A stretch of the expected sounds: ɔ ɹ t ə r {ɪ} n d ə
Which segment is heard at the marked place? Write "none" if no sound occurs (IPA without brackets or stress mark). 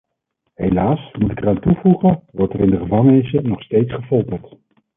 ɪ